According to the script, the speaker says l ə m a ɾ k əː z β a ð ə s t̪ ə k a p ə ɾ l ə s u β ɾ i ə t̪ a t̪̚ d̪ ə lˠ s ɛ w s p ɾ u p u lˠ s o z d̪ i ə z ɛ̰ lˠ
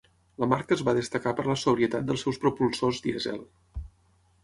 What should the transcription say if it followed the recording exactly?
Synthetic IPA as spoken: l ə m a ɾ k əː z β a ð ə s t̪ ə k a p ə ɾ l ə s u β ɾ i ə t̪ a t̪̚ d̪ ə lˠ s ɛ w s p ɾ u p u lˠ s o z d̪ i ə z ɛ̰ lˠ